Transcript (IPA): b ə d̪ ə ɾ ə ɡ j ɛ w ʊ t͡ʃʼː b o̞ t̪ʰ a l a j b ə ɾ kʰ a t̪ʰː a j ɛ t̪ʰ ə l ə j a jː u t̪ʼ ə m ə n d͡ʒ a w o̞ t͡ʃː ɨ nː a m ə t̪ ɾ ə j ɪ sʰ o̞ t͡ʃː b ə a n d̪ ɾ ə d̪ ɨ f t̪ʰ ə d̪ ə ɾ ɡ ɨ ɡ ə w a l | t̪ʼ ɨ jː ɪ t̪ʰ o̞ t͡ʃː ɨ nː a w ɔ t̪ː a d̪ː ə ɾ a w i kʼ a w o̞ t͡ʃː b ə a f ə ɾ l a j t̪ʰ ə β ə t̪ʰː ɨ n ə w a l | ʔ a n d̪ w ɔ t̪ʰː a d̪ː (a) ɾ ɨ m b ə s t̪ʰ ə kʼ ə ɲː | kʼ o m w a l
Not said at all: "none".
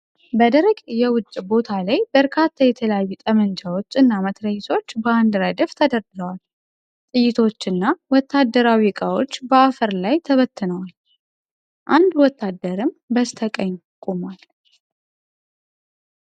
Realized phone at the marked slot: ə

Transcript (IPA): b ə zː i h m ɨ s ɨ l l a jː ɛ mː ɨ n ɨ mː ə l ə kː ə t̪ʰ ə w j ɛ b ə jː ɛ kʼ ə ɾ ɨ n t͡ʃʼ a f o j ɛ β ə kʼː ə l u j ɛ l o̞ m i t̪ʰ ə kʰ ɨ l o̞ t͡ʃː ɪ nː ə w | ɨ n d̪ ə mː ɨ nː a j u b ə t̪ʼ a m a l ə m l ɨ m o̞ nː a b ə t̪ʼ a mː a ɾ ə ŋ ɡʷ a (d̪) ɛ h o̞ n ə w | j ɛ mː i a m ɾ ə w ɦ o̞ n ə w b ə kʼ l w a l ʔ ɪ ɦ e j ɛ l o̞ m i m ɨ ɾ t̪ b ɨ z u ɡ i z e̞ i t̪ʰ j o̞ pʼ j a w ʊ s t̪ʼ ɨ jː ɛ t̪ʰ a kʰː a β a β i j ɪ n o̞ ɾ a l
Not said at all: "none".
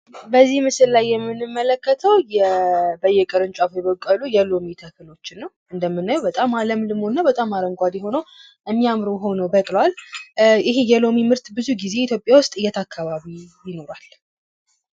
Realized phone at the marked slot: d̪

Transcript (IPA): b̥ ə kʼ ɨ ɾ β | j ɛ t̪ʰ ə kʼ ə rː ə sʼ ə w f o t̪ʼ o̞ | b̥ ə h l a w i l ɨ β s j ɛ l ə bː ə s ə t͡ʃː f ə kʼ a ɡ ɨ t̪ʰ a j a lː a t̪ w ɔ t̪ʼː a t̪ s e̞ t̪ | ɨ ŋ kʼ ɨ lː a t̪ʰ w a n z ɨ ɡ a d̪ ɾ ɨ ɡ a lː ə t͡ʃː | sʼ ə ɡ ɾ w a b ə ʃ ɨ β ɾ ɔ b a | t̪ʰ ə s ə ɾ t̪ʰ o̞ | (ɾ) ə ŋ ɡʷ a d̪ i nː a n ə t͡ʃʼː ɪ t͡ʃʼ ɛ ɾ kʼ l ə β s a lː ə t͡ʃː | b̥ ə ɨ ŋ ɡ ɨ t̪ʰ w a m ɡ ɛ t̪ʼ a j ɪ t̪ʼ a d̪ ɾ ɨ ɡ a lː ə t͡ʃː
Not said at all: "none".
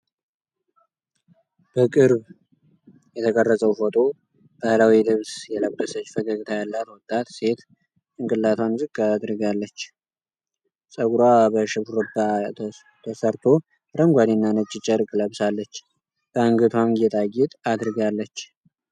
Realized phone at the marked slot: ɾ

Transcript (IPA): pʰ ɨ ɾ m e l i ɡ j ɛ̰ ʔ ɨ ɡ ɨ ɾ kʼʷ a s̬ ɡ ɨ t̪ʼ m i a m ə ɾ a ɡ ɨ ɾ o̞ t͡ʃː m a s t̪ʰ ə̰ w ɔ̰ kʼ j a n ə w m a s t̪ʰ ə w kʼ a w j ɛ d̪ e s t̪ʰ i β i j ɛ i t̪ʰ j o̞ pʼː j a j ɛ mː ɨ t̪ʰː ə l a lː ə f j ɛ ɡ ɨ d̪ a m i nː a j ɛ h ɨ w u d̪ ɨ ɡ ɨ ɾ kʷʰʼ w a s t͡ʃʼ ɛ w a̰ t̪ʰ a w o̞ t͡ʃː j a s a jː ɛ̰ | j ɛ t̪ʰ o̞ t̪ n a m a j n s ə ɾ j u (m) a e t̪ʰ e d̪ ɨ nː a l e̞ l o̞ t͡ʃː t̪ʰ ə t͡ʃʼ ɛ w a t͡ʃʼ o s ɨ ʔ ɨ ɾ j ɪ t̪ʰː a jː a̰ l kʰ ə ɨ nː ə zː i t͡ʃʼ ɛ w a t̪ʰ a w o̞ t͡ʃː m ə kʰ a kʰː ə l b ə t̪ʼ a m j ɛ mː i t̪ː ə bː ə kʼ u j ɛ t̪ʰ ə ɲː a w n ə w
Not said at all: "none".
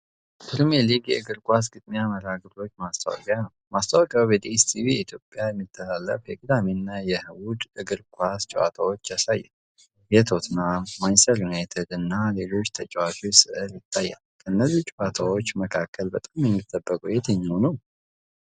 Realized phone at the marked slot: n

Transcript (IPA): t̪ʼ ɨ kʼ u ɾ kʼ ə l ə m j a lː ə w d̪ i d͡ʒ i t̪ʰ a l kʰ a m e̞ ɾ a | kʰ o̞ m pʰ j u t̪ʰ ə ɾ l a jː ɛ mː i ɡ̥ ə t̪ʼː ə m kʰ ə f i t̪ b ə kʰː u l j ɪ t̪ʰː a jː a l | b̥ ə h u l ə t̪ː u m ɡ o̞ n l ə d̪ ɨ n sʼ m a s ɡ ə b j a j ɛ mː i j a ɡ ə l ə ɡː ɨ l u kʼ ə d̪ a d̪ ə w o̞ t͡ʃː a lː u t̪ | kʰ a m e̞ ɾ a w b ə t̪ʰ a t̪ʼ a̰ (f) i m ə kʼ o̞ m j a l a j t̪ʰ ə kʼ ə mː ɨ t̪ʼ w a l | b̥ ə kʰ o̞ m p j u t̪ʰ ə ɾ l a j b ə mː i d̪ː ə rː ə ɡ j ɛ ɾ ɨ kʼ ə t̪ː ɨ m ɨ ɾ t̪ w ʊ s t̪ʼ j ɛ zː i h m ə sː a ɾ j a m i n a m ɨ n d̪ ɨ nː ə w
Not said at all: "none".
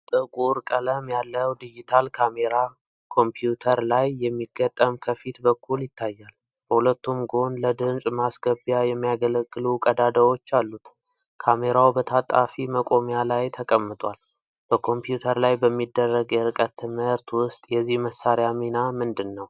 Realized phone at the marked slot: f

